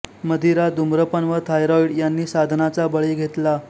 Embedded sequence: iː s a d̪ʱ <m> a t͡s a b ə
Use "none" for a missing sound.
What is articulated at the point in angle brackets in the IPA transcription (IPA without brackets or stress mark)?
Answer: n